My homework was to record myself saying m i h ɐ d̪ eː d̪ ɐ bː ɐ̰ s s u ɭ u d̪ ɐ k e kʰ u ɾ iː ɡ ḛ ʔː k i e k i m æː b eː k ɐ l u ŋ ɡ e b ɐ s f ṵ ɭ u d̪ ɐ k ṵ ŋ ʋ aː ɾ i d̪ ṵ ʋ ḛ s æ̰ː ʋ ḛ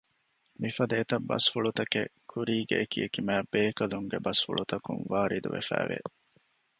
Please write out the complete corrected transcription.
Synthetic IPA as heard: m i f ɐ d̪ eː t̪ ɐ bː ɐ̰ s f u ɭ u t̪ ɐ k e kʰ u ɾ iː ɡ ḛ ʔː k i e k i m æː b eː k ɐ l u ŋ ɡ e b ɐ s f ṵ ɭ u t̪ ɐ k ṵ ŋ ʋ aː ɾ i d̪ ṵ ʋ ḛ f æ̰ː ʋ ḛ